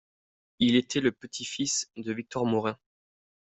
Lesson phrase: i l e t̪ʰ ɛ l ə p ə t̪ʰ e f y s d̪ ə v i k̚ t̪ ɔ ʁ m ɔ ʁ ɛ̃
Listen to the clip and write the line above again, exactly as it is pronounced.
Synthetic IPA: i l e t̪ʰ ɛ l ə p ə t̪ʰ i f i s d̪ ə v i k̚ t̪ ɔ ʁ m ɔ ʁ ɛ̃